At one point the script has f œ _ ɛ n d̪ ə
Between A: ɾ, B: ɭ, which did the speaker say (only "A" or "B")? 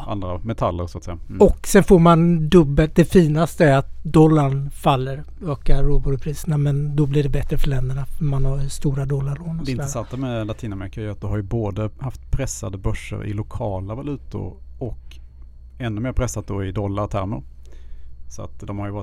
B